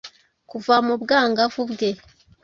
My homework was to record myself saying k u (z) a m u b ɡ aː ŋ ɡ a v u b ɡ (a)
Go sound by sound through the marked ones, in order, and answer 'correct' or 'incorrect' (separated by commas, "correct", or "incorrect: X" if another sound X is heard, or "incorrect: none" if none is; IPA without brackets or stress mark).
incorrect: v, incorrect: e